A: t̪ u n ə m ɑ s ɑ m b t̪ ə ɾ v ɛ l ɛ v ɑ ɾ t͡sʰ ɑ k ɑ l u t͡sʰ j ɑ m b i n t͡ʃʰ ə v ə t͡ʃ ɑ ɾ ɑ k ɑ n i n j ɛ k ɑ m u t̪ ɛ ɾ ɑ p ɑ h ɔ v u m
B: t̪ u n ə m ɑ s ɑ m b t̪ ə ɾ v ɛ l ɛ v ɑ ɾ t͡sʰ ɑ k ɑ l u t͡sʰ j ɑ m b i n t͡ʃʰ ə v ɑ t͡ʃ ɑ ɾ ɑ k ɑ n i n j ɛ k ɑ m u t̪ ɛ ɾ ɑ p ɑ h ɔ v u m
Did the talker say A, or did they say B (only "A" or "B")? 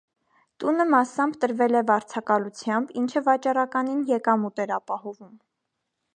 B